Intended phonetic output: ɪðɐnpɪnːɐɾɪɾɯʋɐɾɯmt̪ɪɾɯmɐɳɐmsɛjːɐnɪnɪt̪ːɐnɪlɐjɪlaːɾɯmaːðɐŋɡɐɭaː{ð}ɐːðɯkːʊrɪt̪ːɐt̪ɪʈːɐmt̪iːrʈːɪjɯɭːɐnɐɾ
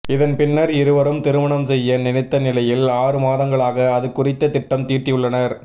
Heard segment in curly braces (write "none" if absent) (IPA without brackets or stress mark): ɣ